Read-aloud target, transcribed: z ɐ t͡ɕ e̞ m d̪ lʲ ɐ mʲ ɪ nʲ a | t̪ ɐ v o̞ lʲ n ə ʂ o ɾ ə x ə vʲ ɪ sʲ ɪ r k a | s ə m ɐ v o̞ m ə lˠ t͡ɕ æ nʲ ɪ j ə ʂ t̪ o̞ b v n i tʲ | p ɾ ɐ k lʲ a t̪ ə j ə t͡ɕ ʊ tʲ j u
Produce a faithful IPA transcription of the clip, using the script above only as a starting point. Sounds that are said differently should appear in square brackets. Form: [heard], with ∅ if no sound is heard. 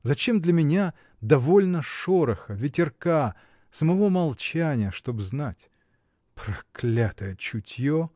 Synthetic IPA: z ɐ t͡ɕ e̞ m d̪ lʲ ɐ mʲ ɪ nʲ a | [d̪] ɐ v o̞ lʲ n ə ʂ o ɾ ə x ə vʲ ɪ [tʲ] ɪ r k a | s ə m ɐ v o̞ m [ɐ] lˠ t͡ɕ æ nʲ ɪ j ə ʂ t̪ o̞ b [z] n [a] tʲ | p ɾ ɐ k lʲ a t̪ ə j ə t͡ɕ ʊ tʲ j [o]

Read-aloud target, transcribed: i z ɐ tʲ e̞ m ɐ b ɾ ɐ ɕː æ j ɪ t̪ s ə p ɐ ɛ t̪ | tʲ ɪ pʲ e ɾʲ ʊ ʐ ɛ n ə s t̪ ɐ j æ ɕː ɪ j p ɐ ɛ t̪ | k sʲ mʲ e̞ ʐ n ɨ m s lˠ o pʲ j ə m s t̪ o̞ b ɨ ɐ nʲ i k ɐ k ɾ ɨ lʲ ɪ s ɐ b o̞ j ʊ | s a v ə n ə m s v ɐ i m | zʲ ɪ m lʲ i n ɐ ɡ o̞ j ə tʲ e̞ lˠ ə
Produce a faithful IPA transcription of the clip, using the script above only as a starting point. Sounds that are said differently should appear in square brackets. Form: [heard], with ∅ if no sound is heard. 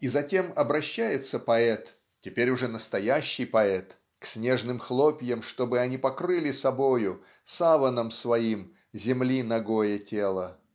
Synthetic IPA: i z ɐ tʲ e̞ m ɐ b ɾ ɐ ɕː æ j ɪ t̪ s ə p ɐ ɛ t̪ | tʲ ɪ pʲ e ɾʲ ʊ ʐ ɛ n ə s t̪ ɐ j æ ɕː ɪ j p ɐ ɛ t̪ | k sʲ [nʲ] e̞ ʐ n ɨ m [x] lˠ o pʲ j ə m [ʂ] t̪ o̞ b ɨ ɐ nʲ i [p] ɐ k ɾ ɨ lʲ ɪ s ɐ b o̞ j ʊ | s a v ə n ə m s v ɐ i m | zʲ ɪ m lʲ i n ɐ ɡ o̞ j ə tʲ e̞ lˠ ə

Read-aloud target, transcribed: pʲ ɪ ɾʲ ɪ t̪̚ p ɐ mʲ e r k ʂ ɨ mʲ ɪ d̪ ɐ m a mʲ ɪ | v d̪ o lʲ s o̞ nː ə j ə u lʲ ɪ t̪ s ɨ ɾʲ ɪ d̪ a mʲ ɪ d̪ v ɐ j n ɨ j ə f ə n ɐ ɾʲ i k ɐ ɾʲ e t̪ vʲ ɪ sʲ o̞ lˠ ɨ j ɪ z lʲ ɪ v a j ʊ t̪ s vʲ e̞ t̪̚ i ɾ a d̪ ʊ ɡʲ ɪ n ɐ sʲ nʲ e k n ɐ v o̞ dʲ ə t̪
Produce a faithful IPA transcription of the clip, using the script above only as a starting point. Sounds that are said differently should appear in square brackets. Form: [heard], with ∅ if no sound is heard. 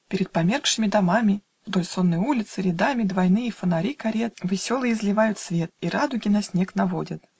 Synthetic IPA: pʲ ɪ ɾʲ ɪ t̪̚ p ɐ mʲ e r k ʂ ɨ mʲ ɪ d̪ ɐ m a mʲ ɪ | v d̪ o lʲ s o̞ nː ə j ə u lʲ ɪ t̪ s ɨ ɾʲ ɪ d̪ a mʲ ɪ d̪ v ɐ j n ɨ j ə f ə n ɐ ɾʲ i k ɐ ɾʲ e t̪ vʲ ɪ sʲ o̞ lˠ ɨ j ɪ z lʲ ɪ v a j ʊ t̪ s vʲ e̞ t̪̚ i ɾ a d̪ ʊ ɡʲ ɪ n ɐ sʲ nʲ e k n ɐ v o̞ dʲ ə t̪

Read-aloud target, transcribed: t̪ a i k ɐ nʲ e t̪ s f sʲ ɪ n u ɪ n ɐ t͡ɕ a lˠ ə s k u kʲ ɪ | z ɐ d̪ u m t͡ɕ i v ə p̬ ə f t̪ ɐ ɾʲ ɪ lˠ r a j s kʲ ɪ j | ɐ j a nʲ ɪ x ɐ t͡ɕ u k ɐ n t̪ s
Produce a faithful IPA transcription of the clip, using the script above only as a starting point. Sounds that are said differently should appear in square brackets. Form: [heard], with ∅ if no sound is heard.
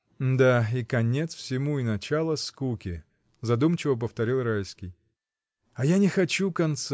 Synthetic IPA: [d̪] a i k ɐ nʲ e t̪ s f sʲ ɪ [m] u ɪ n ɐ t͡ɕ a lˠ ə s k u kʲ ɪ | z ɐ d̪ u m t͡ɕ [ɪ] v ə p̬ ə f t̪ ɐ ɾʲ [i] lˠ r a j s kʲ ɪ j | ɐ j a nʲ ɪ x ɐ t͡ɕ u k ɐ n t̪ s

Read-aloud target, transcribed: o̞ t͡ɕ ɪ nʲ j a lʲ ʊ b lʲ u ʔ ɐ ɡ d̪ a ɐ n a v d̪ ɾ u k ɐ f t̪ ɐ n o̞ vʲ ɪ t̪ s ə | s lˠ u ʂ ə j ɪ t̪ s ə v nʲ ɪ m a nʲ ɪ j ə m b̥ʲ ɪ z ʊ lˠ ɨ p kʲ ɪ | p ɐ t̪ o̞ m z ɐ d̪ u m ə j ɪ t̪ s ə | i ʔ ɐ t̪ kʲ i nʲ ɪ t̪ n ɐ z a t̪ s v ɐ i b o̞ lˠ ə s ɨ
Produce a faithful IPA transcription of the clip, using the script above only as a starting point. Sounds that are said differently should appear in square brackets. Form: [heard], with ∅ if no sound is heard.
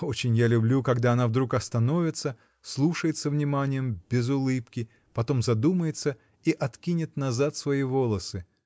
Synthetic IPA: o̞ t͡ɕ ɪ nʲ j a lʲ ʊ b lʲ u [k] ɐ ɡ d̪ a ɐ n a v d̪ ɾ u k ɐ [s] t̪ ɐ n o̞ vʲ ɪ t̪ s ə | s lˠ u ʂ ə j ɪ t̪ s ə v nʲ ɪ m a nʲ ɪ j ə m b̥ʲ ɪ z ʊ lˠ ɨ p kʲ ɪ | p ɐ t̪ o̞ m z ɐ d̪ u m ə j ɪ t̪ s ə | i ʔ ɐ t̪ kʲ i nʲ ɪ t̪ n ɐ z a t̪ s v ɐ i [v] o̞ lˠ ə s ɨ

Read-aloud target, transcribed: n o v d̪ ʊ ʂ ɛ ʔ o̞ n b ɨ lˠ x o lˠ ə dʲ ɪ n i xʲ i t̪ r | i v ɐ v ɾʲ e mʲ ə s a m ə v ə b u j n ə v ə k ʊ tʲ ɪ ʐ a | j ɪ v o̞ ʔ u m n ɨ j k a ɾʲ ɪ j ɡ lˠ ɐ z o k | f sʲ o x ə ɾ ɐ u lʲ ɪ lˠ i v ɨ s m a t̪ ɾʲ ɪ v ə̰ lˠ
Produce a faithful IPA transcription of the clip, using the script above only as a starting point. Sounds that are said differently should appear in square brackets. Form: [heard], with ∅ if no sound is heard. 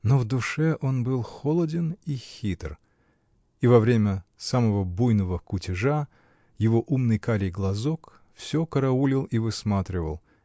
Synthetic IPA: n o v d̪ ʊ ʂ ɛ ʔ o̞ n b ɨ lˠ x o lˠ ə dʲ ɪ n i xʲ i t̪ r | i v ɐ v ɾʲ e mʲ ə s a m ə v ə b u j n ə v ə k ʊ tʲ ɪ ʐ a | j ɪ v o̞ ʔ u m n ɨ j k a ɾʲ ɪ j ɡ lˠ ɐ z o k | f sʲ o [k] ə ɾ ɐ u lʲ ɪ lˠ i v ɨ s m a t̪ ɾʲ ɪ v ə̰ lˠ

